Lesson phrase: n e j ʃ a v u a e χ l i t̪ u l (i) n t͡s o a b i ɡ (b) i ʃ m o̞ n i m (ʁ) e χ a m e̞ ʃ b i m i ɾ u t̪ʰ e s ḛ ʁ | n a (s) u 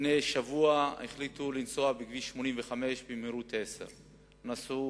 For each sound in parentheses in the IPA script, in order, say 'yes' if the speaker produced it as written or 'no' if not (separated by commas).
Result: yes, no, no, yes